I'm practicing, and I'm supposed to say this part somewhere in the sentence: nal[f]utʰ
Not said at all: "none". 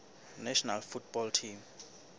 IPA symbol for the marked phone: f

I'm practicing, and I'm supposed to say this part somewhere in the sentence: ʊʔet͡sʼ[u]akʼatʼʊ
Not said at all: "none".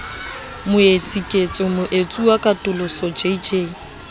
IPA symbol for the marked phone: u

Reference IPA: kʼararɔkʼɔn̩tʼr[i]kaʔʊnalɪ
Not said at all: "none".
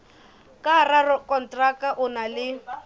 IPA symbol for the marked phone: a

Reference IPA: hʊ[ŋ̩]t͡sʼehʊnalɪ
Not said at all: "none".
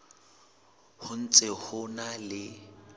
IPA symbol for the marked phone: n̩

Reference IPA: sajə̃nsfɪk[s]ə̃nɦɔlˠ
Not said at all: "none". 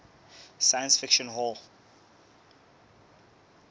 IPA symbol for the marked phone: ʃ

